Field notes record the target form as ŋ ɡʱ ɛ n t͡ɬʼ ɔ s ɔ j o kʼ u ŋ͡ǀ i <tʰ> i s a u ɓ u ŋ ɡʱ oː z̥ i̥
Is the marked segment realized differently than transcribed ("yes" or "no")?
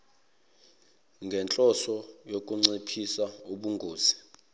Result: yes